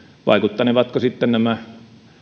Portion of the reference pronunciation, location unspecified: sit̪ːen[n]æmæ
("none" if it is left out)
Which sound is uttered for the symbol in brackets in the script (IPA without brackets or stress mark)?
n